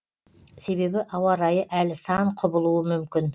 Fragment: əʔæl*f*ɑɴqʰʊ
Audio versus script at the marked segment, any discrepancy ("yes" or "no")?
yes